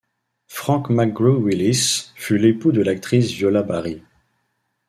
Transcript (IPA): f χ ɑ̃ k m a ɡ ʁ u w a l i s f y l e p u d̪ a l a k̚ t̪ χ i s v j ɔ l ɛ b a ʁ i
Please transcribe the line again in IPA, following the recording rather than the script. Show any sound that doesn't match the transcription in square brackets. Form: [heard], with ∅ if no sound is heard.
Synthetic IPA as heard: f χ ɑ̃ k m a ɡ ʁ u w [i] l i s f y l e p u d̪ [ə] l a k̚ t̪ χ i s v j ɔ l [a] b a ʁ i